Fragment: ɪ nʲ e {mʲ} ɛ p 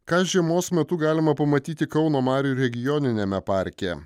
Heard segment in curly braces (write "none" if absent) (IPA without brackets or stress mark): mʲ